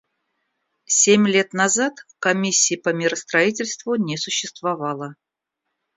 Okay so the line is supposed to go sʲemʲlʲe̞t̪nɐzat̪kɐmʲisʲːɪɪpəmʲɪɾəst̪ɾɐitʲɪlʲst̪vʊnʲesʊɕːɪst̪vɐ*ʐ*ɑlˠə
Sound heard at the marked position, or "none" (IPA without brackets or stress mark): v